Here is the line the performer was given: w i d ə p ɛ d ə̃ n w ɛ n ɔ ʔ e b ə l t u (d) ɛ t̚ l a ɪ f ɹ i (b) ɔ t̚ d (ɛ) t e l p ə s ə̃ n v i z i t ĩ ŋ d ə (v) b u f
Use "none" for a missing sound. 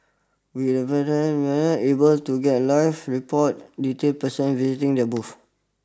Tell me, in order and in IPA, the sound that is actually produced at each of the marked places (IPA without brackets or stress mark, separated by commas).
ɡ, p, i, none